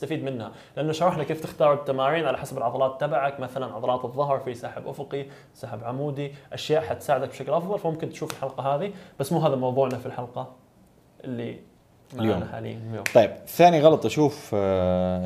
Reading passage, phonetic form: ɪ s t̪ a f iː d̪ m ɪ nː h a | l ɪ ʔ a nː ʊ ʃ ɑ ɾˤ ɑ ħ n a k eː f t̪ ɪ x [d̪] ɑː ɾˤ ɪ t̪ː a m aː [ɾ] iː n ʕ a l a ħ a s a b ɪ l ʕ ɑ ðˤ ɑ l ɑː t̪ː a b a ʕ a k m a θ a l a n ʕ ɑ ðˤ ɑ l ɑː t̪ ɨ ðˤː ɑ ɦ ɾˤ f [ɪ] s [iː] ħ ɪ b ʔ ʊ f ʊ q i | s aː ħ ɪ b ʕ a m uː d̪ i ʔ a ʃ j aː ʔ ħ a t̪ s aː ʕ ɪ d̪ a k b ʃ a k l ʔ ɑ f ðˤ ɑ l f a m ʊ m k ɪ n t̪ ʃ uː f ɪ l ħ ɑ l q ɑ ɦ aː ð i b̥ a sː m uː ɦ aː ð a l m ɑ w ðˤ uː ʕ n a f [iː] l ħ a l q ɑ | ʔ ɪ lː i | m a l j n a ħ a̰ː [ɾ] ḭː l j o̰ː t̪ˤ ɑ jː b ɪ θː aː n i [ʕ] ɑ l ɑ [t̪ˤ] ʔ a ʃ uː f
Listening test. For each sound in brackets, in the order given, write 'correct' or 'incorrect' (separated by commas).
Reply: incorrect, correct, incorrect, incorrect, incorrect, incorrect, incorrect, correct